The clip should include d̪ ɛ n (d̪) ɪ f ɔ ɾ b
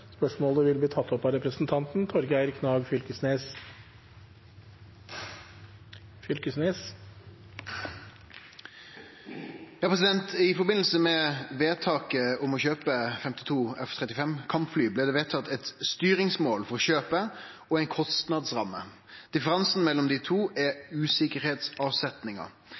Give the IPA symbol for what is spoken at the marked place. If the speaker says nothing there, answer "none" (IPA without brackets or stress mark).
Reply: t̪